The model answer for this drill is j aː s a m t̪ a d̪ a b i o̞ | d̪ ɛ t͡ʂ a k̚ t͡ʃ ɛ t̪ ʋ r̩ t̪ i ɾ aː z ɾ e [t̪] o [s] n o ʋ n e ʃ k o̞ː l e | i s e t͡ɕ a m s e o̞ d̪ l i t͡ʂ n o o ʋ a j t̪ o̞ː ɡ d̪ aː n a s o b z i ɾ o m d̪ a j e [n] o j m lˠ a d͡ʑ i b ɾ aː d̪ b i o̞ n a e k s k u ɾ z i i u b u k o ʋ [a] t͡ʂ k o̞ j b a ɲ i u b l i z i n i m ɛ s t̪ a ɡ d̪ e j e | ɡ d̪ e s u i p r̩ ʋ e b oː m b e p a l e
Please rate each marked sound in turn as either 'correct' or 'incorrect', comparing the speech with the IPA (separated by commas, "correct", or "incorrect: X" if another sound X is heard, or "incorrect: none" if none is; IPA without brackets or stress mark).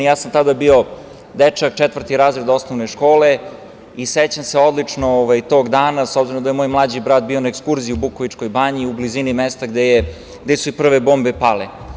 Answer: incorrect: d̪, correct, incorrect: m, incorrect: i